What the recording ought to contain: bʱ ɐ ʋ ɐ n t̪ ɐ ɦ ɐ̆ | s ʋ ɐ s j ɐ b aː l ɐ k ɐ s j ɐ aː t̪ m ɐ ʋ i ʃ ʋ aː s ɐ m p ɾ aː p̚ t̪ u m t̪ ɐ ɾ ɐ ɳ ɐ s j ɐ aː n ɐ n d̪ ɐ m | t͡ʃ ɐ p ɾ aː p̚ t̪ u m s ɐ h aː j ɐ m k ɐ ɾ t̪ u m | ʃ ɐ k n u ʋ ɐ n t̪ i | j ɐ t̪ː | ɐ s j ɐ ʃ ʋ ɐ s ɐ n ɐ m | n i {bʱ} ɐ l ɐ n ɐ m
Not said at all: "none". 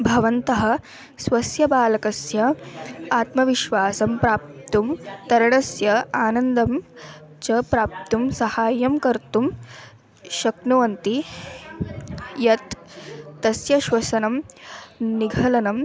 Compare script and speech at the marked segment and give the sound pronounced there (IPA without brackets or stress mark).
ɡʱ